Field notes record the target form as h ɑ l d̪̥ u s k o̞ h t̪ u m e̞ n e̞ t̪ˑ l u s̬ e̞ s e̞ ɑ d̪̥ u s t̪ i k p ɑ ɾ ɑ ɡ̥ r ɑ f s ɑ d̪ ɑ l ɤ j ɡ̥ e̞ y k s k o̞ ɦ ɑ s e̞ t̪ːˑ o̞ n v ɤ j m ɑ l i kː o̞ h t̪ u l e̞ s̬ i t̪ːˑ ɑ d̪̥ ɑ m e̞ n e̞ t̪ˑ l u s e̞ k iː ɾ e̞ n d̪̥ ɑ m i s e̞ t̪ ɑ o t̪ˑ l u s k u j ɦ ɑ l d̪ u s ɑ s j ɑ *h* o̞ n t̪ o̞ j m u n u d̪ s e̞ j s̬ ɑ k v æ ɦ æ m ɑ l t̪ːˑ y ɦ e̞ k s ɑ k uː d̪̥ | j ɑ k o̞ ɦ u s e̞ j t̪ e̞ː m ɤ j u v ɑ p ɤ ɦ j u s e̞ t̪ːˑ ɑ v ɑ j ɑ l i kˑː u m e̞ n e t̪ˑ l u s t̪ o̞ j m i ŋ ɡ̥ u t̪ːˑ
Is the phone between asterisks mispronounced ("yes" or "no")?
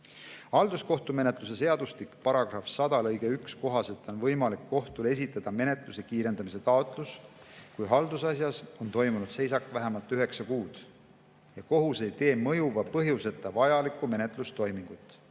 yes